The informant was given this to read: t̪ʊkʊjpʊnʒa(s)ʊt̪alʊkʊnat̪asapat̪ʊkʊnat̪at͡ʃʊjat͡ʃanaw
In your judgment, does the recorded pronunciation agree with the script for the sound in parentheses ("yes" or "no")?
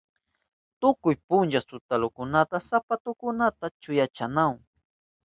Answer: yes